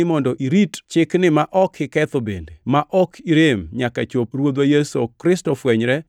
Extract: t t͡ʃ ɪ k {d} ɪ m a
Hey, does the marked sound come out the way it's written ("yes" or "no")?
no